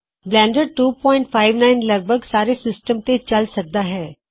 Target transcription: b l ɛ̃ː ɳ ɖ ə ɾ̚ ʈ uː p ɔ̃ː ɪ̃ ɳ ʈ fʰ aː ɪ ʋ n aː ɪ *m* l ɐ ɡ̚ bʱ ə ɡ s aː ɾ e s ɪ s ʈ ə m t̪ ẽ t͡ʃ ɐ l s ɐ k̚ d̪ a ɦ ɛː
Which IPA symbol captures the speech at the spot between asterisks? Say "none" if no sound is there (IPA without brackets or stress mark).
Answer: n